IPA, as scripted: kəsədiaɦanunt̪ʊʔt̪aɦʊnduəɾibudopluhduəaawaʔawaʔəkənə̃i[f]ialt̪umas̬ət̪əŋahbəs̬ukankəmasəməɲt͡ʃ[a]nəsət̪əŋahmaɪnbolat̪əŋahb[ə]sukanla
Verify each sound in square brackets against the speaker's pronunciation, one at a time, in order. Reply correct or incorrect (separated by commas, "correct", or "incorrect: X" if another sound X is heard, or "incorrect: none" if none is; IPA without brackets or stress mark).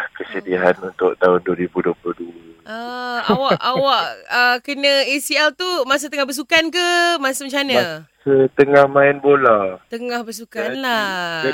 incorrect: s, correct, correct